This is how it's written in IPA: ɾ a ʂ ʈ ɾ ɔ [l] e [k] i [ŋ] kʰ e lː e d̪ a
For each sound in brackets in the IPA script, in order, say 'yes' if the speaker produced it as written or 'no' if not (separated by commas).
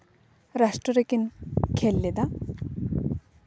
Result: no, yes, no